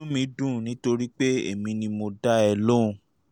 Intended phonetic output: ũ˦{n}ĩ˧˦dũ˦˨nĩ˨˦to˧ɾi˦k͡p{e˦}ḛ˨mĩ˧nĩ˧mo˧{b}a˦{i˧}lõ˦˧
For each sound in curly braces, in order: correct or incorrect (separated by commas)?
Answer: incorrect, correct, incorrect, incorrect